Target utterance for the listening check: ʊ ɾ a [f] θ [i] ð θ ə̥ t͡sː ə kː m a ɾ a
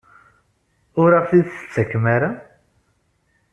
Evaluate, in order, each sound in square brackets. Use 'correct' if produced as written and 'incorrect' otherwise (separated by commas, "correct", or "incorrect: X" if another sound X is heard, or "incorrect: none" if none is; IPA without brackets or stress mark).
correct, correct